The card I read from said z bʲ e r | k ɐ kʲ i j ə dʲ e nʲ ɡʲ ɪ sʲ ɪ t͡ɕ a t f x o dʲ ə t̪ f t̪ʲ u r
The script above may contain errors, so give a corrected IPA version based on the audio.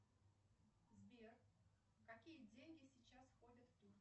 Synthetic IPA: z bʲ e r | k ɐ kʲ i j ə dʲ e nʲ ɡʲ ɪ sʲ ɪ t͡ɕ a s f x o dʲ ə t̪ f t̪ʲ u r